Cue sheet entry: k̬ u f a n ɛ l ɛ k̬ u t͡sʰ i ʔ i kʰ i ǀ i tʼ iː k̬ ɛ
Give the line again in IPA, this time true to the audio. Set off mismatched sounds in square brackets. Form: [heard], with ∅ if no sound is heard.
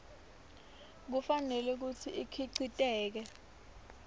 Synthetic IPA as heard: k̬ u f a n ɛ l ɛ k̬ u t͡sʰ i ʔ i kʰ i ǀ i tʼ [ɛː] k̬ ɛ